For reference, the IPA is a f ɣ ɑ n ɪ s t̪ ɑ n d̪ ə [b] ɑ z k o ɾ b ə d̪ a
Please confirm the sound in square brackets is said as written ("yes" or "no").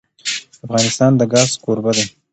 no